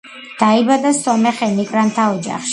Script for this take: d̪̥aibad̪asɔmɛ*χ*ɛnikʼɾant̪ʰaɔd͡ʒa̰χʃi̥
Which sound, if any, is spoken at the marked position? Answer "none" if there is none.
χ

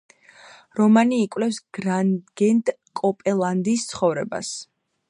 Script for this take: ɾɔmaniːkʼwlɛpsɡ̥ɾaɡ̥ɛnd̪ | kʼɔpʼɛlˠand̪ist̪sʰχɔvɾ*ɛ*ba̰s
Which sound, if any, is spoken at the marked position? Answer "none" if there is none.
ɛ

